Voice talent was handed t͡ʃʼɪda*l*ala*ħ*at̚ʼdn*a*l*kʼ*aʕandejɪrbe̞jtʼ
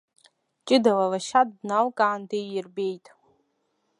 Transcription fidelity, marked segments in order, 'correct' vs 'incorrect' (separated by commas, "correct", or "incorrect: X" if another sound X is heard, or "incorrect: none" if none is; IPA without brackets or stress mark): correct, incorrect: ʃ, correct, correct